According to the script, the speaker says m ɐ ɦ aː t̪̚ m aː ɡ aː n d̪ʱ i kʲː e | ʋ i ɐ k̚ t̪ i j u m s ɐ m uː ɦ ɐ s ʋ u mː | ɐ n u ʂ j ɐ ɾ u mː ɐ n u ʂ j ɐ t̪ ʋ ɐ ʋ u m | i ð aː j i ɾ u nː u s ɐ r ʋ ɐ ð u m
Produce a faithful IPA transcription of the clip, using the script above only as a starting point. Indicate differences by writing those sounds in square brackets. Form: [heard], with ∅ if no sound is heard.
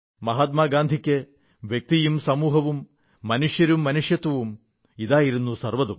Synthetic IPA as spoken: m ɐ ɦ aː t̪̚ m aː ɡ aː n d̪ʱ i kʲː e | ʋ [j] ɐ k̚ t̪ i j u m s ɐ m uː ɦ ɐ [∅] ʋ u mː | ɐ n u ʂ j ɐ ɾ u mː ɐ n u ʂ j ɐ t̪ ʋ ɐ ʋ u m | i ð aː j i ɾ u nː u s ɐ r ʋ ɐ ð u m